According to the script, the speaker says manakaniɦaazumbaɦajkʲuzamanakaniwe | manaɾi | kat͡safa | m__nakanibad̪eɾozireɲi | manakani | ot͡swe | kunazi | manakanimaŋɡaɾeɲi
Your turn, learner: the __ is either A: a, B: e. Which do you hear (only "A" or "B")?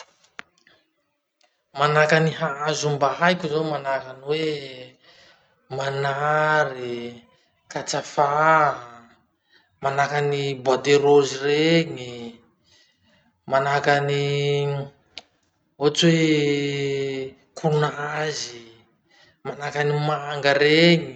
A